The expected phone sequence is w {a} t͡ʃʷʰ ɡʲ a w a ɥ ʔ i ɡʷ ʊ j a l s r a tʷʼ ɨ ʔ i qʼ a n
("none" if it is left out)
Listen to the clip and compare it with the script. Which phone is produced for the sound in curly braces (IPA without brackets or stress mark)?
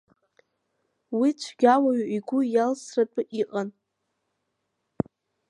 i